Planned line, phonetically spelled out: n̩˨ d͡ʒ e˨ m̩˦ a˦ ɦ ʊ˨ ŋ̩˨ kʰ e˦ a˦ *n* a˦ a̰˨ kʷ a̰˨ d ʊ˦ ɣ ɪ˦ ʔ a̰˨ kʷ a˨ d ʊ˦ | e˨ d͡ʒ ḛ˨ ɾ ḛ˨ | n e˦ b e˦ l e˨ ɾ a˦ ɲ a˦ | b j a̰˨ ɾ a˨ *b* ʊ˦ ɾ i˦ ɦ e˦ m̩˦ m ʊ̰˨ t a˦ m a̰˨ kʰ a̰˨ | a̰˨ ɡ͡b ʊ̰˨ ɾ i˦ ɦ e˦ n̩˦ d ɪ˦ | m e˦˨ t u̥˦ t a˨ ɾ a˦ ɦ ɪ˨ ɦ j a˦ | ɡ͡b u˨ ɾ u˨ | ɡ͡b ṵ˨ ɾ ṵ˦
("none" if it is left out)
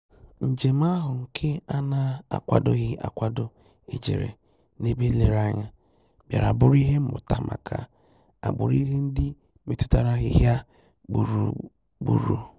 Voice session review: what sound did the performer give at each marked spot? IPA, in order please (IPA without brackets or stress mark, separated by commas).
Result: n, b